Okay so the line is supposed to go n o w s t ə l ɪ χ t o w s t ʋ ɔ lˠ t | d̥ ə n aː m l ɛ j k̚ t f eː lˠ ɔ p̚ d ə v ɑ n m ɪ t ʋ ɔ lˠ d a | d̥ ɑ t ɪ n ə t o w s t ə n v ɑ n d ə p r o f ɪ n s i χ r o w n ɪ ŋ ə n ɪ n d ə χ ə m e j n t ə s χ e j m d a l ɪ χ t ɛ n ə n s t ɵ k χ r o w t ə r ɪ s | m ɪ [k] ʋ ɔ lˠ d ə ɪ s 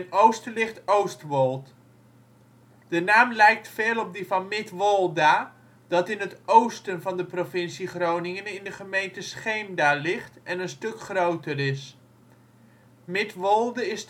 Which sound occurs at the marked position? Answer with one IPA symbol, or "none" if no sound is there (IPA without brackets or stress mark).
t